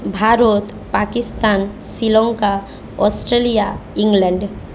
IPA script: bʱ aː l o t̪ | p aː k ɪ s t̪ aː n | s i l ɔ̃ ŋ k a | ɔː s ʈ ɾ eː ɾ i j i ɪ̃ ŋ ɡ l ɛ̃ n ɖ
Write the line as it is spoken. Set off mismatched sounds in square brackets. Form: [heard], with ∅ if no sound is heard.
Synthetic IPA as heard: bʱ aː [ɾ] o t̪ | p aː k ɪ s t̪ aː n | s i l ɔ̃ ŋ k a | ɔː s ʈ ɾ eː [l] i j [a] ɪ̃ ŋ ɡ l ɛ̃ [ɳ] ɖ